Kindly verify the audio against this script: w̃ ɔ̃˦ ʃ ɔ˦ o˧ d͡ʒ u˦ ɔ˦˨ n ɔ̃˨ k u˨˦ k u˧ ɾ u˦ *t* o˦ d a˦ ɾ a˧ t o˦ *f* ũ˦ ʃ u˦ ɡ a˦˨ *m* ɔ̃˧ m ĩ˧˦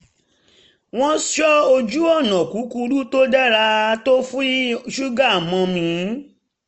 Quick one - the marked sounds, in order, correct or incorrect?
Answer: correct, correct, correct

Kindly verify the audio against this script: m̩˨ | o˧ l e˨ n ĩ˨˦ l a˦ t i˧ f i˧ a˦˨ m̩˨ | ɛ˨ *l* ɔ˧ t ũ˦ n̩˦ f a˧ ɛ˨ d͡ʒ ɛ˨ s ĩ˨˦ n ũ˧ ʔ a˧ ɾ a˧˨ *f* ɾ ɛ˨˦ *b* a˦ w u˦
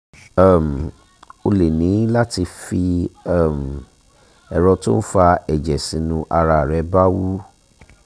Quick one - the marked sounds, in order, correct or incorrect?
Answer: incorrect, incorrect, correct

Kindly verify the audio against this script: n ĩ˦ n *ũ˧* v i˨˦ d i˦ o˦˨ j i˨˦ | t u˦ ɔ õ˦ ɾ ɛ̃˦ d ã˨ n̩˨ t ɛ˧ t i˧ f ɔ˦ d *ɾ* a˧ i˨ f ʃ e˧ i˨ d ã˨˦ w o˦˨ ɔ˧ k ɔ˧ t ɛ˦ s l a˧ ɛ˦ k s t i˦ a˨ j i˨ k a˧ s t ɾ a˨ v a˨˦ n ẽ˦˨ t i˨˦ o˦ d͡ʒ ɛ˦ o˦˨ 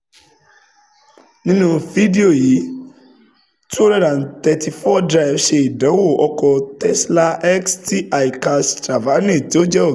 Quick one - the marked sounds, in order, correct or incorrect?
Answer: correct, correct

